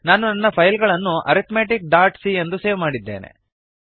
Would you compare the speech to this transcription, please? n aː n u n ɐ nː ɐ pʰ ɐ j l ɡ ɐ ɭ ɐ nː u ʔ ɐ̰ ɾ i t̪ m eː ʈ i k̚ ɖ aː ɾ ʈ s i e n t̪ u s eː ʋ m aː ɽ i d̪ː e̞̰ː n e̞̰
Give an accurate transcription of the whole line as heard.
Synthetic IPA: n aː n u n ɐ nː ɐ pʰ ɐ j l ɡ ɐ ɭ ɐ nː u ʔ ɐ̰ ɾ i t̪ m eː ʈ i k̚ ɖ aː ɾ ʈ s i e n d̪ u s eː ʋ m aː ɽ i d̪ː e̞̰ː n e̞̰